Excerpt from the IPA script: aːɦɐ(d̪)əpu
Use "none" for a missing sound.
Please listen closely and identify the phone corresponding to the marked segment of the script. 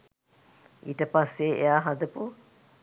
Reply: d̪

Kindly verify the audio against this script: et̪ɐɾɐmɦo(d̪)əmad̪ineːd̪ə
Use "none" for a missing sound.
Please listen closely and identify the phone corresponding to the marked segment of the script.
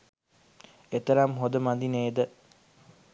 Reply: d̪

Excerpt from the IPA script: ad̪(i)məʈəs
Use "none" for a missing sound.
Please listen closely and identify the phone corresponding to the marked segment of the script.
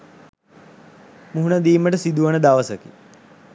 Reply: iː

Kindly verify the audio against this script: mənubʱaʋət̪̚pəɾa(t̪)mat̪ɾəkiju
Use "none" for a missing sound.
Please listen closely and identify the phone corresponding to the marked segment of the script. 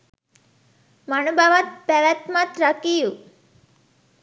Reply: t̪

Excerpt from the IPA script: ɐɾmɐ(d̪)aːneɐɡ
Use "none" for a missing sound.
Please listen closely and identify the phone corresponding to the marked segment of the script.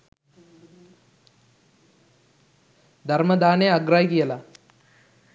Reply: d̪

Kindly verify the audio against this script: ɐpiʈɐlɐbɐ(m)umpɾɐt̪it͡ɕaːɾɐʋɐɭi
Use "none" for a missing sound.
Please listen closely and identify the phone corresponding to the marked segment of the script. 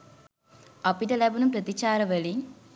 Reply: n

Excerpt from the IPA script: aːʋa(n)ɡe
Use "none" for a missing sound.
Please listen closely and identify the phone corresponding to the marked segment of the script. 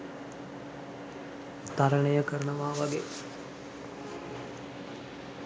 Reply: none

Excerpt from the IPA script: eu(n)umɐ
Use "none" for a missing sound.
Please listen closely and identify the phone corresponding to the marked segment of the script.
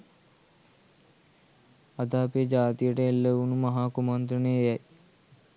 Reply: n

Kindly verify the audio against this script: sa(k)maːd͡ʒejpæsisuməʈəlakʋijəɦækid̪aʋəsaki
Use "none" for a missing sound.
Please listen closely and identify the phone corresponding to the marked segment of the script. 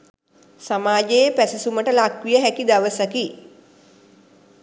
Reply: none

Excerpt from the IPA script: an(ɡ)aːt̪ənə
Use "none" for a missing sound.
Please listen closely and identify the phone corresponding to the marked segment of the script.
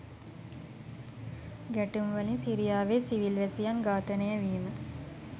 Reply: ɡ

